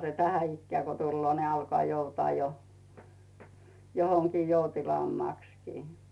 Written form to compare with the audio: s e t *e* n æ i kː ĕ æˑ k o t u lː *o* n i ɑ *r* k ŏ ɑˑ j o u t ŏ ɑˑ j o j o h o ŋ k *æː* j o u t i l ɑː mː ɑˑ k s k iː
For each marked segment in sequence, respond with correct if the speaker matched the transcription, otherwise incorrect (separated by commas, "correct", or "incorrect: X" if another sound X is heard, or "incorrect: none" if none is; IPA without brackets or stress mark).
incorrect: æ, incorrect: oː, incorrect: l, incorrect: iː